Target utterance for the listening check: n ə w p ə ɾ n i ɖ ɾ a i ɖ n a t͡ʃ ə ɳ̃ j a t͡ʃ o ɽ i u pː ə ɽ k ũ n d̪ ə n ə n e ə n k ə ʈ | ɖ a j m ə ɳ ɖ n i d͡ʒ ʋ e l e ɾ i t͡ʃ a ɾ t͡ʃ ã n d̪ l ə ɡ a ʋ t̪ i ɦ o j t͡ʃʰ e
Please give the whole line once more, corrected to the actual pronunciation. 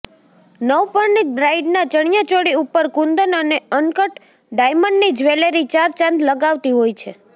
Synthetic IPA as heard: n ə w p ə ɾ n i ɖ ɾ a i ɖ n a t͡ʃ ə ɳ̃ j a t͡ʃ o ɽ i u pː ə ɾ k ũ n d̪ ə n ə n e ə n k ə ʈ | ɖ a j m ə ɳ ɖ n i d͡ʒ ʋ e l e ɾ i t͡ʃ a ɾ t͡ʃ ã n d̪ l ə ɡ a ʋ t̪ i ɦ o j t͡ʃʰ e